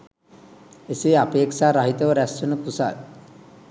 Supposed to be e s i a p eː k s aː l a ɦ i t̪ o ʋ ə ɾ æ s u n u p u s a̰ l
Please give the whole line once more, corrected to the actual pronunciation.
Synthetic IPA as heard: e s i a p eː k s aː ɾ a ɦ i t̪ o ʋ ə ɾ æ s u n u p u s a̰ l